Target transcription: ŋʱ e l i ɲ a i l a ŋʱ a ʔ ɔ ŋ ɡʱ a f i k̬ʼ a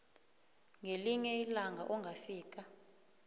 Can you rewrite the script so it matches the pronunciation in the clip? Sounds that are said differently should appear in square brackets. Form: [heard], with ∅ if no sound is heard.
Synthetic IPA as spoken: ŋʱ e l i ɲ [ɛ] i l a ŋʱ a ʔ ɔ ŋ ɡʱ a f [iː] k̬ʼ a